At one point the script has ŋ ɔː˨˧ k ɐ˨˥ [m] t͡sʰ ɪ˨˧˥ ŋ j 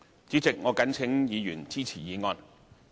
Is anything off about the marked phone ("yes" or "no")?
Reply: yes